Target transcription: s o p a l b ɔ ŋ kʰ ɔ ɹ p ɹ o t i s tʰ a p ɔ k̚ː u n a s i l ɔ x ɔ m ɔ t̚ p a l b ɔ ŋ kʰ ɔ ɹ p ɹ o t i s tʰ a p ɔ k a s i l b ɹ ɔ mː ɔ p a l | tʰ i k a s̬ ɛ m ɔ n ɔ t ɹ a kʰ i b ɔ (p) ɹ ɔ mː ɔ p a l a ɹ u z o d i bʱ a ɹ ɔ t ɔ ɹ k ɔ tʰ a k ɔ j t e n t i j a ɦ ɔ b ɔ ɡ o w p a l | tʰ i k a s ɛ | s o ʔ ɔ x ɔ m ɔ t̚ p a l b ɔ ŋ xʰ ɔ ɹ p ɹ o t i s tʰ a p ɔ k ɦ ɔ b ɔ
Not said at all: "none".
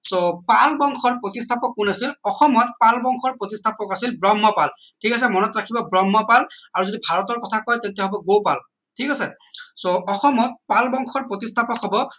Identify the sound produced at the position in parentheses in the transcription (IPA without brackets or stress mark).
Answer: b